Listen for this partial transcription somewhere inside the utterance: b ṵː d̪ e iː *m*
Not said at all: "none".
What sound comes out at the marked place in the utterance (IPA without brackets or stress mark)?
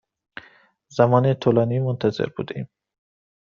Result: m